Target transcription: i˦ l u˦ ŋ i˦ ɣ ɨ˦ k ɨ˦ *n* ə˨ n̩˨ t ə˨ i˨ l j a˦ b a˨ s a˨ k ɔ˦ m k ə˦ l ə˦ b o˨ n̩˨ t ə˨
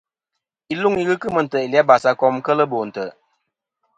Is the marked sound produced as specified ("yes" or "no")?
no